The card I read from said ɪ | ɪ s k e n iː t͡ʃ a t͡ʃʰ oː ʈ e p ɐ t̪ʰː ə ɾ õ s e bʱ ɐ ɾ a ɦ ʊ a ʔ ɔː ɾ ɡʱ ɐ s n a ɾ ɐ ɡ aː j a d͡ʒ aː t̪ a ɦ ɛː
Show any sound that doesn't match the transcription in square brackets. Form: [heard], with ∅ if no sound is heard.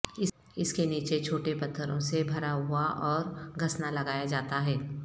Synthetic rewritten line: ɪ | ɪ s k e n iː t͡ʃ [e] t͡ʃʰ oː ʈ e p ɐ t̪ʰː ə ɾ õ s e bʱ ɐ ɾ a ɦ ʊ a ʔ ɔː ɾ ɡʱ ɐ s n a [l] ɐ ɡ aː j a d͡ʒ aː t̪ a ɦ ɛː